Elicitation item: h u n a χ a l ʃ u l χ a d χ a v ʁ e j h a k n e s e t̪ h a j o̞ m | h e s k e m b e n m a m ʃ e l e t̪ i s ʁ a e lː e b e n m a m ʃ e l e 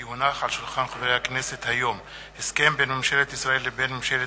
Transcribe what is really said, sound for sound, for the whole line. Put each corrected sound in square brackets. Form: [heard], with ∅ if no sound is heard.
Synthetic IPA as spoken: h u n a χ a l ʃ u l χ a [n] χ a v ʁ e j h a k n e s e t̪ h a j o̞ m | h e s k e m b e n m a m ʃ e l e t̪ i s ʁ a e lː e b e n m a m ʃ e l e